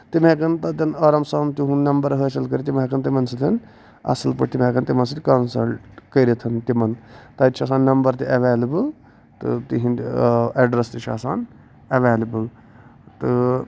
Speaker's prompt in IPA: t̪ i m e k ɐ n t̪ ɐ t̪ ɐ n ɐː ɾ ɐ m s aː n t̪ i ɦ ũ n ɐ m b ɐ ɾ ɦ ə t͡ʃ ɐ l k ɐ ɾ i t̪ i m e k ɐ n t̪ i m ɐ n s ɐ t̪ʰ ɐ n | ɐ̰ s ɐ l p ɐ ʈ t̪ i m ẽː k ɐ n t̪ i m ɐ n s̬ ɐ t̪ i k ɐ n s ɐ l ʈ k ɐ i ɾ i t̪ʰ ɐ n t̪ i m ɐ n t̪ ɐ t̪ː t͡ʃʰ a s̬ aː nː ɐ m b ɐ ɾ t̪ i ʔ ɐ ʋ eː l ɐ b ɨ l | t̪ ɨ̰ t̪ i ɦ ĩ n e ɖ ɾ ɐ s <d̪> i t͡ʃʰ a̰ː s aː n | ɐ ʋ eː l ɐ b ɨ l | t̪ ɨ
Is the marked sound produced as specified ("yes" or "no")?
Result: no